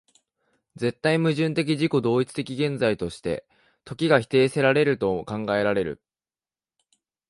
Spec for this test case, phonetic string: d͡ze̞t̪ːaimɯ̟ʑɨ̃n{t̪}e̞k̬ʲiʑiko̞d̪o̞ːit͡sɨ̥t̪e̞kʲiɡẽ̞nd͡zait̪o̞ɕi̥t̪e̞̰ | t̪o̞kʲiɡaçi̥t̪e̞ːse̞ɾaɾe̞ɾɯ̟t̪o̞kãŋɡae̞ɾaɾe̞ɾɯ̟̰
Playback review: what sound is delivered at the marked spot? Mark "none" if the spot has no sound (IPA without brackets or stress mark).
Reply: t̪